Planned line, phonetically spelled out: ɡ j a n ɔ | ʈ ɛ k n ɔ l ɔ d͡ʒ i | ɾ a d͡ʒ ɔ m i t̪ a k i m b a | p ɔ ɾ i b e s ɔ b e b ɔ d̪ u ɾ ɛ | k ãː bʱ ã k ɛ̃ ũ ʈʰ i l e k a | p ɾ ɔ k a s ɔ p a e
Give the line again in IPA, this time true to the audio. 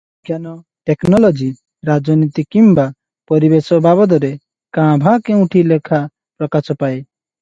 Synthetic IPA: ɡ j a n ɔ | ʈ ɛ k n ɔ l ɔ d͡ʒ i | ɾ a d͡ʒ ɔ n i t̪ i k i m b a | p ɔ ɾ i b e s ɔ b a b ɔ d̪ ɔ ɾ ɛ | k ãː bʱ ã k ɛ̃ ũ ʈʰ i l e kʰ a | p ɾ ɔ k a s ɔ p a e